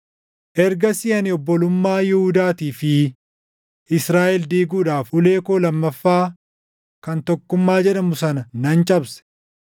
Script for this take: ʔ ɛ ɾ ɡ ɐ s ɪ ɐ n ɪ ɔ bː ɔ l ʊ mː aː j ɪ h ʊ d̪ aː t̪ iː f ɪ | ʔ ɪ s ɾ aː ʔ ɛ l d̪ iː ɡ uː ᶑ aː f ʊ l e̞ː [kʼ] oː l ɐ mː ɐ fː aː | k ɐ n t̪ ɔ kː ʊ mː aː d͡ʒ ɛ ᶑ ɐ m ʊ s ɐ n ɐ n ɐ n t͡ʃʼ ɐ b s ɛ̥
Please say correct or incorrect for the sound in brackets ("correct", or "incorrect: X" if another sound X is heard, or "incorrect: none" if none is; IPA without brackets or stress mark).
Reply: incorrect: k